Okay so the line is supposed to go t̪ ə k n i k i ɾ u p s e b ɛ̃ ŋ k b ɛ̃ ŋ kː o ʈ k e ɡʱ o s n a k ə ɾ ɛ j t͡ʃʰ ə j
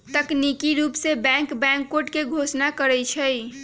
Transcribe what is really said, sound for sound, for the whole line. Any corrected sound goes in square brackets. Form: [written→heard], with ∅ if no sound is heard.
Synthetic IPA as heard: t̪ ə k n i k i ɾ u p s e b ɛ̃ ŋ k b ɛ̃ ŋ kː o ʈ k e ɡʱ o s n a k ə ɾ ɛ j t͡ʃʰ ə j